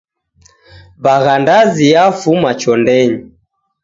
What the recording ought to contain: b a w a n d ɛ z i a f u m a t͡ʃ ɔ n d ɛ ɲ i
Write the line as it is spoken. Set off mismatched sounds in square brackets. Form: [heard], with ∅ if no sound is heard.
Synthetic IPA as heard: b a [ɣ] a n d [a] z i a f u m a t͡ʃ ɔ n d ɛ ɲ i